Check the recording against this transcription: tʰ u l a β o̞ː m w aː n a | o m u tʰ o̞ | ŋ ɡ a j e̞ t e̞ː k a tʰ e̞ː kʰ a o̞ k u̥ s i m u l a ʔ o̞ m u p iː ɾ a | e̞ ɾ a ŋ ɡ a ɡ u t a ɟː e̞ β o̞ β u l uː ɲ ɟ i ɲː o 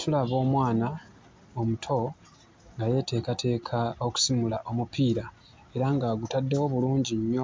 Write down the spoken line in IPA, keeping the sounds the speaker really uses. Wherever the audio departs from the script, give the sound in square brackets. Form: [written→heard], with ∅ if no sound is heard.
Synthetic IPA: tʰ u l a β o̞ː m w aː n a | o m u tʰ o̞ | ŋ ɡ a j e̞ t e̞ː k a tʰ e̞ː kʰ a o̞ k u̥ s i m u l a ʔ o̞ m u p iː ɾ a | e̞ ɾ a ŋ ɡ a ɡ u t a [ɟː→dː] e̞ [β→w] o̞ β u l uː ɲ ɟ i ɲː o